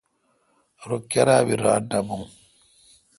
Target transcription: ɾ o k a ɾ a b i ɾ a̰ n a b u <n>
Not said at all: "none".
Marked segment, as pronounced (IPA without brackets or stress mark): ŋ